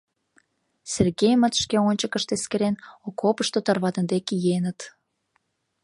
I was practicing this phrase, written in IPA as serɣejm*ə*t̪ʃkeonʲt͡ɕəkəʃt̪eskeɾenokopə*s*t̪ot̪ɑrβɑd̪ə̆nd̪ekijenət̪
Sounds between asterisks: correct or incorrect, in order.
correct, incorrect: ʃ

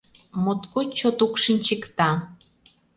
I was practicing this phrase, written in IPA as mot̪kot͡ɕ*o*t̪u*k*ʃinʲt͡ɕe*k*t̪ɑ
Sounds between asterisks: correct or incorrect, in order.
correct, correct, correct

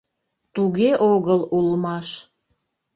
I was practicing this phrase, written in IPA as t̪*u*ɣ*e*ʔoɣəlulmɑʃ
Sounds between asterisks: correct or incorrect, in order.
correct, correct

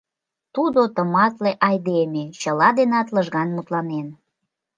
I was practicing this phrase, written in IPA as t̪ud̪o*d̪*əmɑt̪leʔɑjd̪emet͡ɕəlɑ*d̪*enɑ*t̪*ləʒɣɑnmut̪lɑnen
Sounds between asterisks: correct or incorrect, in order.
incorrect: t̪, correct, correct

